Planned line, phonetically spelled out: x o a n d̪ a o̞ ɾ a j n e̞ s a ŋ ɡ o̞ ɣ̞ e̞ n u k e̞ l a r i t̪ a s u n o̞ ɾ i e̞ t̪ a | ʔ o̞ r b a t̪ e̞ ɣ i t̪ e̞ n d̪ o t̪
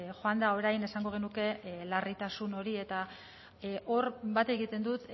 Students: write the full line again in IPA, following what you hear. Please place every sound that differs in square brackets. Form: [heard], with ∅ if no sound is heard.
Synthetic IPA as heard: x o a n d̪ a o̞ ɾ a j n e̞ s a ŋ ɡ o̞ ɣ̞ e̞ n u k e̞ l a r i t̪ a s u n o̞ ɾ i e̞ t̪ a | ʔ o̞ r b a t̪ e̞ ɣ i t̪ e̞ n d̪ [u] t̪